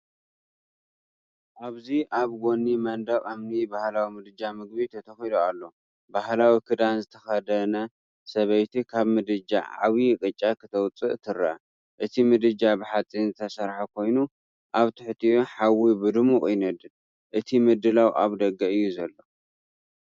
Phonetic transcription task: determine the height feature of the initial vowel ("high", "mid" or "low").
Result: low